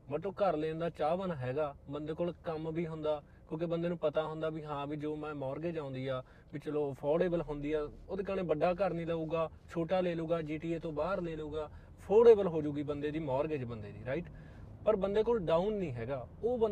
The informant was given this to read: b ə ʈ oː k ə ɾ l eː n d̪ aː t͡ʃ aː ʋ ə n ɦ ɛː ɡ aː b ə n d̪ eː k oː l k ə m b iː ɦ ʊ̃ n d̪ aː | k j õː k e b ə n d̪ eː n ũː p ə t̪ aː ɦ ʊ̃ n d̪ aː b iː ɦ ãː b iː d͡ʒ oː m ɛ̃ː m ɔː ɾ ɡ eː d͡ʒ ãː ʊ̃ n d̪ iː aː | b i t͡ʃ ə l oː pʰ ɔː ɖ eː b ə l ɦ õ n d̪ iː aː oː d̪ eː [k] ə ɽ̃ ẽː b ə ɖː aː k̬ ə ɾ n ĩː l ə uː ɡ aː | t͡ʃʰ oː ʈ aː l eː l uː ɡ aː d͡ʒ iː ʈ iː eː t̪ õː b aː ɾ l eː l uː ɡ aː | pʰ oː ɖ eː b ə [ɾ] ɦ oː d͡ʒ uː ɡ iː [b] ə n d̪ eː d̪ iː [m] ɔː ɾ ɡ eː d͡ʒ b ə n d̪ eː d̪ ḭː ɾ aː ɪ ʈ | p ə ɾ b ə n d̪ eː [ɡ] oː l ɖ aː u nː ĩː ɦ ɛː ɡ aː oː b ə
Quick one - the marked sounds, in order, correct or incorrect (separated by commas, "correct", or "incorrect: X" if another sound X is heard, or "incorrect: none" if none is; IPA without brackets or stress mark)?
correct, incorrect: l, correct, correct, incorrect: k